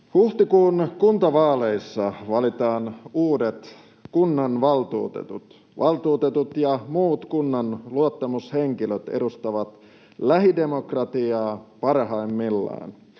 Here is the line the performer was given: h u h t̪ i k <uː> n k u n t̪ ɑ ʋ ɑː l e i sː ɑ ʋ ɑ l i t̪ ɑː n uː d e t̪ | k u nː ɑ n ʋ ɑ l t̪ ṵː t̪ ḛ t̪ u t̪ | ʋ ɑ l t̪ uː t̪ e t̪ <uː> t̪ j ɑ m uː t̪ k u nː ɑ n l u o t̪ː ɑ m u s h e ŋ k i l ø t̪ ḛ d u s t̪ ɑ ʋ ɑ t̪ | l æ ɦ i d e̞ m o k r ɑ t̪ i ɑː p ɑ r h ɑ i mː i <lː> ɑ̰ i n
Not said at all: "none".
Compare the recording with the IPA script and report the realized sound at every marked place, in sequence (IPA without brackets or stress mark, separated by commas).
uː, u, lː